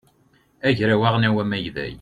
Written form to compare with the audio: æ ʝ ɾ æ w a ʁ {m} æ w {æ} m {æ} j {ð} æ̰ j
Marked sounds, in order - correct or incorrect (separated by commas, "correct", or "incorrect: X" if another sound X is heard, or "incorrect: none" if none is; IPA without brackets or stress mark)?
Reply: incorrect: n, correct, correct, correct